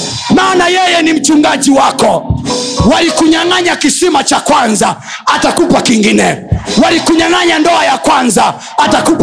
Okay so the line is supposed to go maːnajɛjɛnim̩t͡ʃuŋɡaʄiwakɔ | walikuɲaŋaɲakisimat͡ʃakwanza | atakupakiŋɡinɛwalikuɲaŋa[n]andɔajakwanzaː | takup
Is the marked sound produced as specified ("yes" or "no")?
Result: no